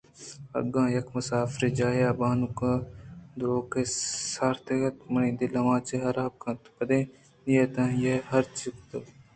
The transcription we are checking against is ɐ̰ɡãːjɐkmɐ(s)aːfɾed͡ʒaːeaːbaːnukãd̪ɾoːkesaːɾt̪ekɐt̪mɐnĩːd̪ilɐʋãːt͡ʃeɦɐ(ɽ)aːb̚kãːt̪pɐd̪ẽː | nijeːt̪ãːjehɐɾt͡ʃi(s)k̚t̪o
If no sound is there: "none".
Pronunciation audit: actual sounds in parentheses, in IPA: s, ɾ, none

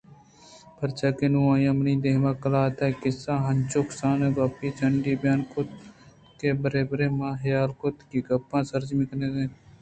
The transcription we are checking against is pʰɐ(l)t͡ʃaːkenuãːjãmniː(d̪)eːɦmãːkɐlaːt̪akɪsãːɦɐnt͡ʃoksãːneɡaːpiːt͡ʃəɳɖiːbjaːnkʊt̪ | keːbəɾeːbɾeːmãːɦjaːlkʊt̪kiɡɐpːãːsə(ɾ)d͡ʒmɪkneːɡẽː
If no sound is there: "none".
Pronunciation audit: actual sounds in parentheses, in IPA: ɾ, d̪, ɾ

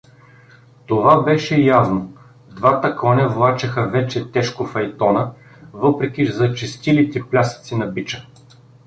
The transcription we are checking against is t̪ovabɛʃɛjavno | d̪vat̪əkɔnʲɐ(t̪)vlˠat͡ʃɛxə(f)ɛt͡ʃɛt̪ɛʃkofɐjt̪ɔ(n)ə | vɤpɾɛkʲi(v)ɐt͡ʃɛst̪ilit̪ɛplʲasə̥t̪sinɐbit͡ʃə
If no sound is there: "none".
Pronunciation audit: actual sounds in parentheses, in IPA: none, v, n, z

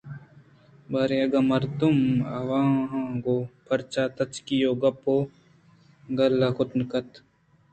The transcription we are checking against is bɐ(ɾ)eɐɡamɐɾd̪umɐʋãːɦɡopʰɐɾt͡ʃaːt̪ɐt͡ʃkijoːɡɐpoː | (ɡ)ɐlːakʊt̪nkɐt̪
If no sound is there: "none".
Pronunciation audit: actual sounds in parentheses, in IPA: ɾ, ɡ

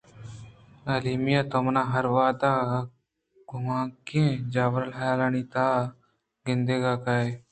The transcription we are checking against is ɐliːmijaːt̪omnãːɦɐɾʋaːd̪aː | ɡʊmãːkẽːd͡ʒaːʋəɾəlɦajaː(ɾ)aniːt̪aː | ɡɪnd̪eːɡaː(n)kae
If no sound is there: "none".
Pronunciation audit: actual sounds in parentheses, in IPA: l, none

